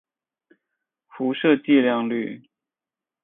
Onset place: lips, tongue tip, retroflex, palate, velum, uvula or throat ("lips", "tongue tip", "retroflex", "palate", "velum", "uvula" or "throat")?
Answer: lips